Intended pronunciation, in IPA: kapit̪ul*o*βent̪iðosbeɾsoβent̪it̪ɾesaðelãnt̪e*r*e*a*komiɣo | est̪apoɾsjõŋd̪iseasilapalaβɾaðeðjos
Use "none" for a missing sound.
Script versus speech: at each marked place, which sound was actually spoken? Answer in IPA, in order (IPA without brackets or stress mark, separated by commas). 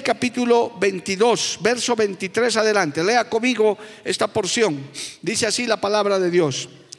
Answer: o, l, a